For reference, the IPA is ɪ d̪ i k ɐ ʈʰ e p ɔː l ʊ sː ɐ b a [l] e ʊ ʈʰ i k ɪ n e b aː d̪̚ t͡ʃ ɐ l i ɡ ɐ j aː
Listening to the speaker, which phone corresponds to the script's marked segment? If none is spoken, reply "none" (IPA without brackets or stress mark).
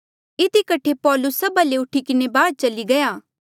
l